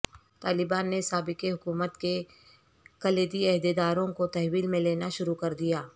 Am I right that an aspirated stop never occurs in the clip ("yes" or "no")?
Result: yes